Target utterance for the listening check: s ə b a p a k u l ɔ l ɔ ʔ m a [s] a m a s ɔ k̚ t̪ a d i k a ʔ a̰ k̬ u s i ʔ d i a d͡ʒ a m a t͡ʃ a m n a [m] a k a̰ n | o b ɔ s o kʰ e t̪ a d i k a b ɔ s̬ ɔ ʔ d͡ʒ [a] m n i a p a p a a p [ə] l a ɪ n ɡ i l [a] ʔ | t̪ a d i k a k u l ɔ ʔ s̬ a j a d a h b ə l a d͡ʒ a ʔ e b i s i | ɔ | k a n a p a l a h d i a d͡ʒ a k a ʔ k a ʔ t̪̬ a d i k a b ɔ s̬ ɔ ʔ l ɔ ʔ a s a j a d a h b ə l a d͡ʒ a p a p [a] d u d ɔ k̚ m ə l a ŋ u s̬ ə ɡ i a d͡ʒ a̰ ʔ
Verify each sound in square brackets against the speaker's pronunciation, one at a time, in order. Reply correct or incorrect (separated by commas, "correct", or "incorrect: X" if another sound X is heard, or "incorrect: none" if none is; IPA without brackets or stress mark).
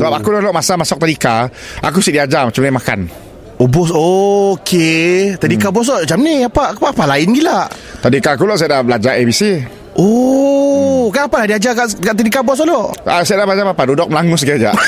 correct, correct, correct, incorrect: a, correct, correct